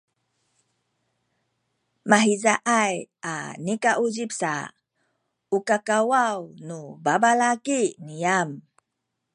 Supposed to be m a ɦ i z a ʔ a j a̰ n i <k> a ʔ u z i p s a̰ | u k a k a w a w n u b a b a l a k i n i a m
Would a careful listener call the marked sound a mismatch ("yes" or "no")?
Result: no